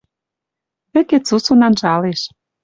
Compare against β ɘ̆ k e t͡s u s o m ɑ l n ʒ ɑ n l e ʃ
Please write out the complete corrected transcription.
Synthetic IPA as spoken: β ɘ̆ k e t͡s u s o n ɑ n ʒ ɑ l e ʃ